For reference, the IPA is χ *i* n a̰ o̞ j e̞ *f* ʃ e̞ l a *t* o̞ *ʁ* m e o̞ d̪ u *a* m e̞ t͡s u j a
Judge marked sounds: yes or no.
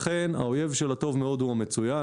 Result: no, no, yes, no, yes

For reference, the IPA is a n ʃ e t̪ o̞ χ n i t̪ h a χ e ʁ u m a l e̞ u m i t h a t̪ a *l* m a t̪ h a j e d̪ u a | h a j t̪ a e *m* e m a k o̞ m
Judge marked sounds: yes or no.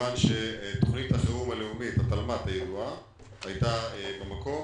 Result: yes, no

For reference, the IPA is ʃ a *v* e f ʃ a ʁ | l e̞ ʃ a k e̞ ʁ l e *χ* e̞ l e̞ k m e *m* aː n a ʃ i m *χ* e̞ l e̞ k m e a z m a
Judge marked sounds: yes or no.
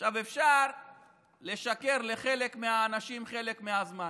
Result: yes, yes, no, yes

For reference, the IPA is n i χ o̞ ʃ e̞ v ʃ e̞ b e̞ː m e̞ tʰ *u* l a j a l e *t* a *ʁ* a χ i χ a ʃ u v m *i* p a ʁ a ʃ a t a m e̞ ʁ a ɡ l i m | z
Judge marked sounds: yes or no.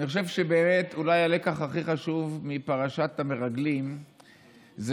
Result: yes, no, no, yes

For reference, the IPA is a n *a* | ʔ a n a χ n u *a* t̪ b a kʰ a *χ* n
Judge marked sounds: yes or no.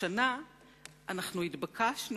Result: yes, no, no

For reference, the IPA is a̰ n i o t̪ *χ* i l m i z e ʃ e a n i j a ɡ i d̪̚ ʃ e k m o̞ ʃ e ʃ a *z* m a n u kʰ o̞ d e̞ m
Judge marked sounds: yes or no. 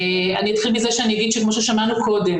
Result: yes, no

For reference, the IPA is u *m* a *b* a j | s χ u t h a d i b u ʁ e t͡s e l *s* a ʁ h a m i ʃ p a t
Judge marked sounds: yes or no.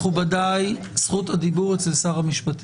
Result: no, no, yes

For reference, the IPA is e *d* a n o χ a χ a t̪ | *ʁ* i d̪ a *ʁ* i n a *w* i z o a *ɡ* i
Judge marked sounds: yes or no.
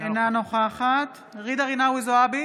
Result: no, yes, yes, yes, no

